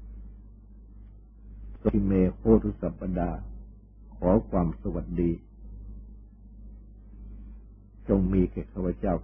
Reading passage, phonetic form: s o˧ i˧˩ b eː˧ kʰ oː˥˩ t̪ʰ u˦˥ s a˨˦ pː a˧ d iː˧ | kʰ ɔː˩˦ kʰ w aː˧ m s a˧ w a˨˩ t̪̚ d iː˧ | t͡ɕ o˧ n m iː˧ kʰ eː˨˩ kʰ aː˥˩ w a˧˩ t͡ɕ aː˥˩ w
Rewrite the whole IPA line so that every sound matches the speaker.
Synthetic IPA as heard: s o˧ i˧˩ m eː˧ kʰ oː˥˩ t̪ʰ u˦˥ s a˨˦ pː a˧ d aː˧ | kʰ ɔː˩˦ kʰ w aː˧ m s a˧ w a˨˩ t̪̚ d iː˧ | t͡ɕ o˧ ŋ m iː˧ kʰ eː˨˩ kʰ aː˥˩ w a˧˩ t͡ɕ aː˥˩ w